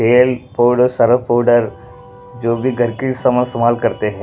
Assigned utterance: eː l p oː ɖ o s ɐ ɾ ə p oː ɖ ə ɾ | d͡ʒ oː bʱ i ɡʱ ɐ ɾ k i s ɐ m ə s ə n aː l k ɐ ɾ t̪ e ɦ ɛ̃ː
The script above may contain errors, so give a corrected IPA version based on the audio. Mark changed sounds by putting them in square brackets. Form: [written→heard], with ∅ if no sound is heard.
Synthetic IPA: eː l p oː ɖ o s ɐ ɾ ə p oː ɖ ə ɾ | d͡ʒ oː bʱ i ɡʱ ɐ ɾ k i s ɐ m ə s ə [n→m] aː l k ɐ ɾ t̪ e ɦ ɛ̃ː